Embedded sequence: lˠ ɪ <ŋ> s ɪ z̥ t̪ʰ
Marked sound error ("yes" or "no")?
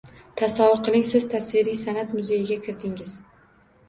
no